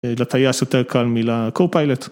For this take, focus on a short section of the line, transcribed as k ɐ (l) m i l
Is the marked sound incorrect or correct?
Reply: correct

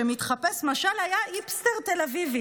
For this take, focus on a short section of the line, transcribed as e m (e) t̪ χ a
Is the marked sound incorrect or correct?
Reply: incorrect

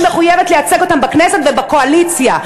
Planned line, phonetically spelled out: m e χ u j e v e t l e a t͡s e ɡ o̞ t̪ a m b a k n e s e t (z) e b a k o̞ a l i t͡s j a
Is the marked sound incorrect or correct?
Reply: incorrect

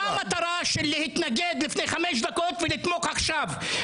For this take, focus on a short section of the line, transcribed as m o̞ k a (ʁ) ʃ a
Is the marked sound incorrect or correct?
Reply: incorrect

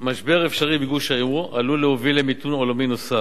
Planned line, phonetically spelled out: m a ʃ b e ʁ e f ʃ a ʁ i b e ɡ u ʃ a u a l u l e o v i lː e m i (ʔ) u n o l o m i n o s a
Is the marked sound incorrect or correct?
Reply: incorrect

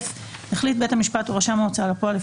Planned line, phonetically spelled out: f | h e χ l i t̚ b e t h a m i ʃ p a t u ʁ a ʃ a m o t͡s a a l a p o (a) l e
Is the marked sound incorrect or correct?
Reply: correct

